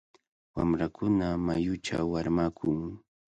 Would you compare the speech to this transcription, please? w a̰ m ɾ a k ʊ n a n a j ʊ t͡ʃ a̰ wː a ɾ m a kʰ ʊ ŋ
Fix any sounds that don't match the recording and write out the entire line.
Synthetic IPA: w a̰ m ɾ a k ʊ n a m a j ʊ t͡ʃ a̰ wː a ɾ m a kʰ ʊ ŋ

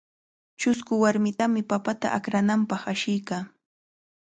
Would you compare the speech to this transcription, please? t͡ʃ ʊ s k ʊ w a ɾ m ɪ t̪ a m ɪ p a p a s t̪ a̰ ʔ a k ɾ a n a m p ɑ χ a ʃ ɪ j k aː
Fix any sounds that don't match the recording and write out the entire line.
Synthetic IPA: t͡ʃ ʊ s k ʊ w a ɾ m ɪ t̪ a m ɪ p a p a t̪ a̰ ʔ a k ɾ a n a m p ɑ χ a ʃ ɪ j k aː

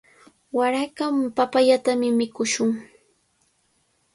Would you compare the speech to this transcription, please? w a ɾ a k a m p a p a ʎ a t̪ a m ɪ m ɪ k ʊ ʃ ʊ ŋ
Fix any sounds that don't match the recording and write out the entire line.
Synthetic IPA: w a ɾ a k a m p a p a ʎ a t̪ a m ɪ m ɪ k ʊ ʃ ʊ ŋ

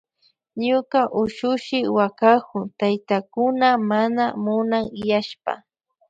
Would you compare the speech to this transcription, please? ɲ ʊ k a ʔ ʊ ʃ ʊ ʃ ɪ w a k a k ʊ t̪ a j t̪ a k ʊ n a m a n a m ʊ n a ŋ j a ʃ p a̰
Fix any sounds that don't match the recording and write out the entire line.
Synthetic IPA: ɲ ʊ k a ʔ ʊ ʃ ʊ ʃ ɪ w a k a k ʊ t̪ a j t̪ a k ʊ n a m a n a m ʊ n a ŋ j a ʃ p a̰

